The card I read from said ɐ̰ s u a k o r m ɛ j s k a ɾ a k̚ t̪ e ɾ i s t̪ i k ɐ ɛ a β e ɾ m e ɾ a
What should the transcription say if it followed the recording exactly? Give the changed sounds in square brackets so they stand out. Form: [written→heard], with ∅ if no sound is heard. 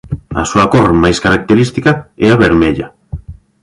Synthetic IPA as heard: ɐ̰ s u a k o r m [ɛ→a] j s k a ɾ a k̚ t̪ e ɾ i s t̪ i k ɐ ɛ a β e ɾ m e [ɾ→ʎ] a